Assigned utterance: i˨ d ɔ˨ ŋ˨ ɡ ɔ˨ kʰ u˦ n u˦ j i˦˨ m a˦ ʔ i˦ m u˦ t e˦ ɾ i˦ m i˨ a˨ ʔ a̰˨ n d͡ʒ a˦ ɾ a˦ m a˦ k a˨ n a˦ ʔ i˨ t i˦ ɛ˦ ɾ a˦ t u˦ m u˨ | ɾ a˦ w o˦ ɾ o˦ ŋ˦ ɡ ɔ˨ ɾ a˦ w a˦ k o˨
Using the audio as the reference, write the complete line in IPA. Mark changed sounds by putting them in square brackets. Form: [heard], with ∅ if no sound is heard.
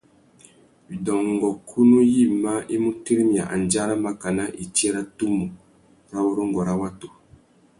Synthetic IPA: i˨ d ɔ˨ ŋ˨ ɡ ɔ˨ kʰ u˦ n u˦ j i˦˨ m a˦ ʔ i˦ m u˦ t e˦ ɾ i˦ m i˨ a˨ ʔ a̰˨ n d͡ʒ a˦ ɾ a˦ m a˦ k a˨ n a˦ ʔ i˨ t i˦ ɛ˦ ɾ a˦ t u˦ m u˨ | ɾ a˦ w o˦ ɾ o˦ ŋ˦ ɡ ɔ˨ ɾ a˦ w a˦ [t] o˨